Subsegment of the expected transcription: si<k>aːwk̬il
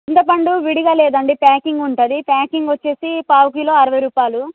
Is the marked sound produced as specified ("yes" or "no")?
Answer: no